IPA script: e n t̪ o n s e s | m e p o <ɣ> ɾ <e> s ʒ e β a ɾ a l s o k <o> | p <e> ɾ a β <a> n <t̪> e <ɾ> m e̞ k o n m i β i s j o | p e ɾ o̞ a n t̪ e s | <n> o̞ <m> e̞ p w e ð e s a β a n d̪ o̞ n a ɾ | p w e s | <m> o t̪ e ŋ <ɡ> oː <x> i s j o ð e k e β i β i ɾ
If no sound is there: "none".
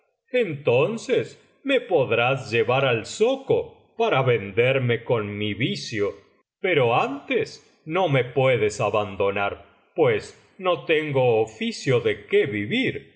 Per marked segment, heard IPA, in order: ð, a, o, a, e, d̪, ɾ, n, m, n, ɡ, f

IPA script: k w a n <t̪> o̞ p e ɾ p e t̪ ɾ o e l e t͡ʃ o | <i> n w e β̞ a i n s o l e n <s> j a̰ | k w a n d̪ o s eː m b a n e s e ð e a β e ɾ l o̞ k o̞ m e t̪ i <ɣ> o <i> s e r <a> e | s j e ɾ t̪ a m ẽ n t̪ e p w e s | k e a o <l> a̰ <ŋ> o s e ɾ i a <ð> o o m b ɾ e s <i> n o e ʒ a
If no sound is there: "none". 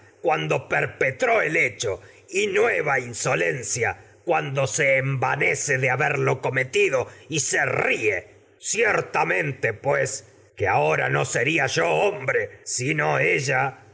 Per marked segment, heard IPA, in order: d̪, i, s, ð, i, i, ɾ, n, ʒ, i

